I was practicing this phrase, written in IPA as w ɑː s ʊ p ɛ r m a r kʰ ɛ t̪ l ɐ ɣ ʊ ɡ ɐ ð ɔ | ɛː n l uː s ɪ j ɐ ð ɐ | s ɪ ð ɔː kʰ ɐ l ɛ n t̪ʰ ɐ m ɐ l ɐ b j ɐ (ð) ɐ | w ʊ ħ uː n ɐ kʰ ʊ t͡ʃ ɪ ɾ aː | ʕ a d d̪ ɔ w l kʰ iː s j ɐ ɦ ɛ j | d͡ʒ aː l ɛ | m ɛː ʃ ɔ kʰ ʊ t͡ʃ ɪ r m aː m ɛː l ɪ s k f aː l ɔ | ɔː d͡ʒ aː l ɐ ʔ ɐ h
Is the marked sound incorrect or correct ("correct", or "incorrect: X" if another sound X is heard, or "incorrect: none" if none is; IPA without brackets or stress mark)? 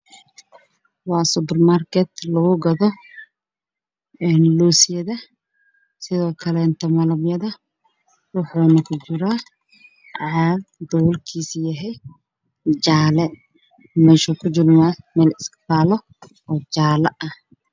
correct